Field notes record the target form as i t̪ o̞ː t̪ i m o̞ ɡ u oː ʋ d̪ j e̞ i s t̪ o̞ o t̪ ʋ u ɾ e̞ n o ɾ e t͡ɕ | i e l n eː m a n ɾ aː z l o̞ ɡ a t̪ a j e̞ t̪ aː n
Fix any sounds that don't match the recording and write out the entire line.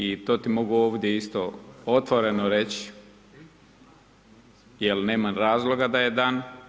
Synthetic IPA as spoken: i t̪ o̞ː t̪ i m o̞ ɡ u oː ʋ d̪ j e̞ i s t̪ o̞ o t̪ ʋ o ɾ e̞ n o ɾ e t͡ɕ | j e l n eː m a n ɾ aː z l o̞ ɡ a d̪ a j e̞ d̪ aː n

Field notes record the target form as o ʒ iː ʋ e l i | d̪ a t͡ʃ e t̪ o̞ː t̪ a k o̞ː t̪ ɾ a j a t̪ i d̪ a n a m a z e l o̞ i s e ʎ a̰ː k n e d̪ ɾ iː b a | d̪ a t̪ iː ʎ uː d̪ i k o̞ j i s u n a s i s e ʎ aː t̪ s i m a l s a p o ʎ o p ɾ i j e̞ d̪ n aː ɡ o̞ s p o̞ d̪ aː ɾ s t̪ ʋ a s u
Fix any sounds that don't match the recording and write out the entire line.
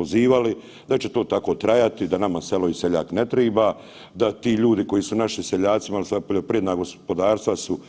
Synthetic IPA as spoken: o z iː ʋ a l i | d̪ a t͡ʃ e t̪ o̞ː t̪ a k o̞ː t̪ ɾ a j a t̪ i d̪ a n a m a s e l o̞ i s e ʎ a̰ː k n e t̪ ɾ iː b a | d̪ a t̪ iː ʎ uː d̪ i k o̞ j i s u n a ʃ i s e ʎ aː t̪ s i m a l s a p o ʎ o p ɾ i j e̞ d̪ n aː ɡ o̞ s p o̞ d̪ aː ɾ s t̪ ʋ a s u

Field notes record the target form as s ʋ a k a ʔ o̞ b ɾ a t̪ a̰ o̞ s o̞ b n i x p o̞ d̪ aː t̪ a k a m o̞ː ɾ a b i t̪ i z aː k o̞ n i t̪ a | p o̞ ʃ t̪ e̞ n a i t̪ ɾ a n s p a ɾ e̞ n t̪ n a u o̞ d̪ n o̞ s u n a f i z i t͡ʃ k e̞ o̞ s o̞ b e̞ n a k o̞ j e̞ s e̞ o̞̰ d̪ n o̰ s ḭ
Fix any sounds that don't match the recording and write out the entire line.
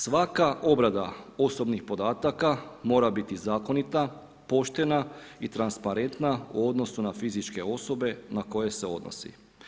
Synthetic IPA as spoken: s ʋ a k a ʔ o̞ b ɾ a d̪ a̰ o̞ s o̞ b n i x p o̞ d̪ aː t̪ a k a m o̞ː ɾ a b i t̪ i z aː k o̞ n i t̪ a | p o̞ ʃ t̪ e̞ n a i t̪ ɾ a n s p a ɾ e̞ n t̪ n a u o̞ d̪ n o̞ s u n a f i z i t͡ʃ k e̞ o̞ s o̞ b e̞ n a k o̞ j e̞ s e̞ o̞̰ d̪ n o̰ s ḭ

